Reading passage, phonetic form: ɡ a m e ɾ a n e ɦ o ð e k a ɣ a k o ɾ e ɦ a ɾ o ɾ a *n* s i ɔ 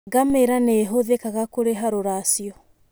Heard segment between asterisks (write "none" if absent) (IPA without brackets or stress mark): none